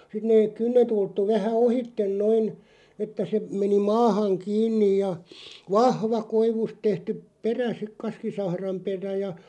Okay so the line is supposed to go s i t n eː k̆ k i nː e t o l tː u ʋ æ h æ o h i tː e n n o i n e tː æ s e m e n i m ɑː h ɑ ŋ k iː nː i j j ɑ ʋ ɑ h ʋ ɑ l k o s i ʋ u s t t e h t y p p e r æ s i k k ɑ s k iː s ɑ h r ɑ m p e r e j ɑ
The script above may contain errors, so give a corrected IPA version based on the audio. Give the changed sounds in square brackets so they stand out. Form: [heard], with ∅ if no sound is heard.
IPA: s i t n eː k̆ k [y] nː e t [u] l tː u ʋ æ h æ o h i tː e n n o i n e tː æ s e m e n i m ɑː h ɑ ŋ k iː nː i j j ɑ ʋ ɑ h ʋ ɑ [∅] k o [∅] i ʋ u s t t e h t y p p e r æ s i k k ɑ s k [i] s ɑ h r ɑ m p e r [æ] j ɑ